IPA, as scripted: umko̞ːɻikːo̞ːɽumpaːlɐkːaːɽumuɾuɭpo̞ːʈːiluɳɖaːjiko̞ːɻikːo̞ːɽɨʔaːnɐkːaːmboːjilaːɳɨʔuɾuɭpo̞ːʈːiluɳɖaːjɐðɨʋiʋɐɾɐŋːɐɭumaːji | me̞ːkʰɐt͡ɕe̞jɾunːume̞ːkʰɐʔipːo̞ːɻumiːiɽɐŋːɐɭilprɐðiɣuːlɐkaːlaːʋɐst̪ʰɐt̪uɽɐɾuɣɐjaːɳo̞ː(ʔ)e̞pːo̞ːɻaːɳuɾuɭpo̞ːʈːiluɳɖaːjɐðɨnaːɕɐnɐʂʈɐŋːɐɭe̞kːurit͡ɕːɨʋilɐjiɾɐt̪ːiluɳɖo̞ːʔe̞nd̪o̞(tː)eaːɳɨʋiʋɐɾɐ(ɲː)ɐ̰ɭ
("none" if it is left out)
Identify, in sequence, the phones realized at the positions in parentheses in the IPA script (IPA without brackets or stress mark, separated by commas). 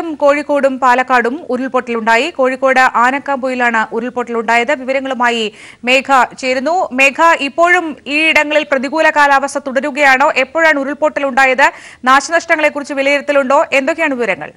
ʔ, kː, ŋː